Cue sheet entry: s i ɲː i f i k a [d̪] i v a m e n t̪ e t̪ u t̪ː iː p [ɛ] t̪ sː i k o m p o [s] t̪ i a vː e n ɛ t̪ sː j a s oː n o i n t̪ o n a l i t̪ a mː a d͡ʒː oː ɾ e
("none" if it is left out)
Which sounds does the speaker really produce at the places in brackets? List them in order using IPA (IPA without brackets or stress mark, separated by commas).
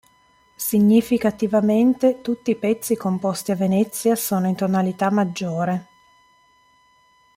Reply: t̪, ɛ, s